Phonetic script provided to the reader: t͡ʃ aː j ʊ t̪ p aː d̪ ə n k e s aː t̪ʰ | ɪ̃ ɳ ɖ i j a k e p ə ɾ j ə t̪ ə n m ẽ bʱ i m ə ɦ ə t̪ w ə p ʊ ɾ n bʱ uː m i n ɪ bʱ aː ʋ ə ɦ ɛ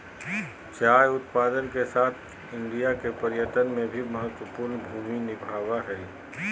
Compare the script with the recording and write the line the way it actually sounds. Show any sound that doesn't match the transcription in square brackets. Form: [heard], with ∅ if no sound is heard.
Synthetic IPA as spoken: t͡ʃ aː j ʊ t̪ p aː d̪ ə n k e s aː t̪ʰ | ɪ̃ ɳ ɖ i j a k e p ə ɾ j ə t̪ ə n m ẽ bʱ i m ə ɦ ə t̪ w ə p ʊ ɾ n bʱ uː m i n ɪ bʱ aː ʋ [a] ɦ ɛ